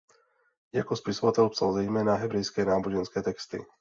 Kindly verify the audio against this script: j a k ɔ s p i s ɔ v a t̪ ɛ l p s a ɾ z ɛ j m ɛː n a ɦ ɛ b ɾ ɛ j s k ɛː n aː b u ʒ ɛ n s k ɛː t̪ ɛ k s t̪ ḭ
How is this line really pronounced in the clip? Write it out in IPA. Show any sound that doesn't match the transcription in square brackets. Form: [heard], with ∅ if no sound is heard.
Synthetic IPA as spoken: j a k ɔ s p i s ɔ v a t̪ ɛ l p s a [l] z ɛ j m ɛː n a ɦ ɛ b ɾ ɛ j s k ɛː n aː b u ʒ ɛ n s k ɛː t̪ ɛ k s t̪ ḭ